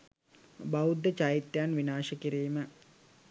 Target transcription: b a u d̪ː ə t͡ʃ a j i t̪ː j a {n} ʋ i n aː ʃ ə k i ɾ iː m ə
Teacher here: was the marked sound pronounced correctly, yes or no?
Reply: yes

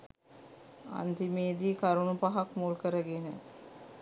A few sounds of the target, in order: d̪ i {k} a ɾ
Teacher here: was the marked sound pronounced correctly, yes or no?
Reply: yes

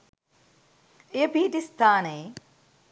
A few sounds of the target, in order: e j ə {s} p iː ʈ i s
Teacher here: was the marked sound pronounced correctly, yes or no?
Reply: no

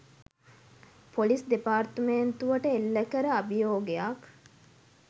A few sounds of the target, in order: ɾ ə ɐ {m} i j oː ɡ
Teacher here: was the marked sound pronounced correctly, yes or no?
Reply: no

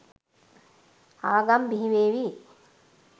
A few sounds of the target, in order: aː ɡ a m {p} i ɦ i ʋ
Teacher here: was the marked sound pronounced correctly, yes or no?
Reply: no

